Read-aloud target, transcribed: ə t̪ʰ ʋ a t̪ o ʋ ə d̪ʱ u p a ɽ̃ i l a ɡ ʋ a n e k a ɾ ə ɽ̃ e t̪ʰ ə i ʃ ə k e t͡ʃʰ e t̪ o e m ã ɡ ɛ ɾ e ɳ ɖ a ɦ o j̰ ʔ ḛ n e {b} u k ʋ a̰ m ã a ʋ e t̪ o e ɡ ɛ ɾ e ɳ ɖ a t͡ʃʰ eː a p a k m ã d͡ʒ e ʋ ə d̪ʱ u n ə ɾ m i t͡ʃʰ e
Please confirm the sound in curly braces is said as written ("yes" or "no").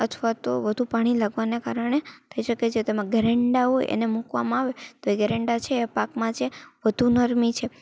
no